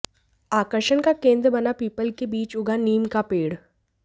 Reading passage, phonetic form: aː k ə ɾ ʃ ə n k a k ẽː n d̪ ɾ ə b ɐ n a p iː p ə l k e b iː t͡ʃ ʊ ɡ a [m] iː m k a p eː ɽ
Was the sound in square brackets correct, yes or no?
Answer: no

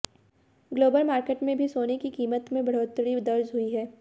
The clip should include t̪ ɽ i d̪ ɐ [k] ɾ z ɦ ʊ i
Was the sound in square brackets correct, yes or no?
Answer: no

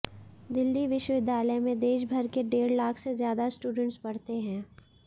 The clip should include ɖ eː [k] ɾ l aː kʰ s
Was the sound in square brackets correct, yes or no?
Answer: no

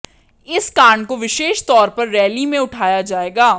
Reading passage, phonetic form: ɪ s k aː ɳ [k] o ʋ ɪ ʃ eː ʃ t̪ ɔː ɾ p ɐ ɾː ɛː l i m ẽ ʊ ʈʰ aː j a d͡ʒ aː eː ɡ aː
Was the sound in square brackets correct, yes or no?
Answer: yes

